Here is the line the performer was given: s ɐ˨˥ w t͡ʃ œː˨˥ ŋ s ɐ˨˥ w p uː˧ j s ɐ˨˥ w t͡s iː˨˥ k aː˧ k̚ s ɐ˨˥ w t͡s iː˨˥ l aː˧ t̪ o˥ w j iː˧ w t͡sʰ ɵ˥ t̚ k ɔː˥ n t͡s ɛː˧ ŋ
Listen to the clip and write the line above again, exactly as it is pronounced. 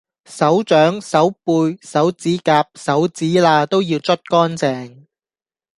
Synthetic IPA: s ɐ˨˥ w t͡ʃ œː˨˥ ŋ s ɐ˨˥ w p uː˧ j s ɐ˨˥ w t͡s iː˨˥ k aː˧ p̚ s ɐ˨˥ w t͡s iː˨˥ l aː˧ t̪ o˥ w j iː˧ w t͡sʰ ɵ˥ t̚ k ɔː˥ n t͡s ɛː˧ ŋ

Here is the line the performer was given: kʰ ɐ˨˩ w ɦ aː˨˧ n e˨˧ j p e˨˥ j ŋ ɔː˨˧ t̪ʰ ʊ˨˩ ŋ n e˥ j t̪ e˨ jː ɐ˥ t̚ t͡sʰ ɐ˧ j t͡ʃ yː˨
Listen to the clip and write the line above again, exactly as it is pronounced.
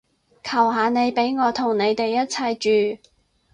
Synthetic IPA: kʰ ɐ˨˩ w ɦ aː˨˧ n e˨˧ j p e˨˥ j ŋ ɔː˨˧ t̪ʰ ʊ˨˩ ŋ n e˨˧ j t̪ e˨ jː ɐ˥ t̚ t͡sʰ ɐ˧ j t͡ʃ yː˨

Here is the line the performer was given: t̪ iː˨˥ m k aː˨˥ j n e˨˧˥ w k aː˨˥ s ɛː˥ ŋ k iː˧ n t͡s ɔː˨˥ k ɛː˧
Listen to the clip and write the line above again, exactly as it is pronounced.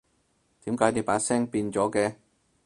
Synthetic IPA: t̪ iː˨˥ m k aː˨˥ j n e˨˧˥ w p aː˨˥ s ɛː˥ ŋ p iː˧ n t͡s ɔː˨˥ k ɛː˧

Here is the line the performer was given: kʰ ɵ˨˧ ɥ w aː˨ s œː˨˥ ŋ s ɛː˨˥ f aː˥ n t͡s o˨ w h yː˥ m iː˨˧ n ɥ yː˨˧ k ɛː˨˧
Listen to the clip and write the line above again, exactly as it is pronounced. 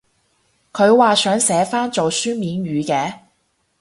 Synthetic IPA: kʰ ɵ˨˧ ɥ w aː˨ s œː˨˥ ŋ s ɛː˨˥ f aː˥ n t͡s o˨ w s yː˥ m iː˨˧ n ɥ yː˨˧ k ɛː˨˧

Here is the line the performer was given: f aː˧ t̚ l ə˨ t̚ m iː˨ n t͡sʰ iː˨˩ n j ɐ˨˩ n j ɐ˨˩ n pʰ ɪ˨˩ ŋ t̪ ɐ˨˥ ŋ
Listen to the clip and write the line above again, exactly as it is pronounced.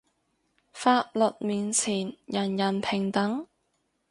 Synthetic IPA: f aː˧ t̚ l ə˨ t̚ m iː˨ n t͡sʰ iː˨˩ n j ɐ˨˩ n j ɐ˨˩ n pʰ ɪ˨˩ ŋ t̪ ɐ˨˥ ŋ

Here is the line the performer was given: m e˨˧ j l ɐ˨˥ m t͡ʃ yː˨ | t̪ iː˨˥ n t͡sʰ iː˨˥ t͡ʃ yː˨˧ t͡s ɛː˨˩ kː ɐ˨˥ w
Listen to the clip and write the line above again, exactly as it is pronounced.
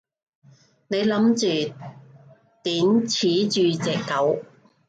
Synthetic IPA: n e˨˧ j l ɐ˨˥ m t͡ʃ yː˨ | t̪ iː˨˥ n t͡sʰ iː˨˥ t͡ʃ yː˨˧ t͡s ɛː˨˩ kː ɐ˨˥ w

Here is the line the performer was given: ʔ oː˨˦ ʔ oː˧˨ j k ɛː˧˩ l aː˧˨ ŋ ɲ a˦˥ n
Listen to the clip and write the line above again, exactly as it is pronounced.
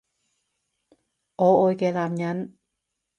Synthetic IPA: ʔ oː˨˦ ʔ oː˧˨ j k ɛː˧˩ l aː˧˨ m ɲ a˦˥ n

